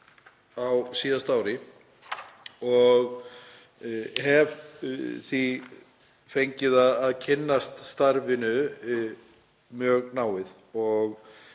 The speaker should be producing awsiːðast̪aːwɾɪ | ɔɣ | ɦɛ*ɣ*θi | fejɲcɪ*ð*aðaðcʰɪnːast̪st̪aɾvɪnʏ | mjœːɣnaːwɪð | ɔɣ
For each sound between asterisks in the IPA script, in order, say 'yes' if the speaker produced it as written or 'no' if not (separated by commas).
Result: no, yes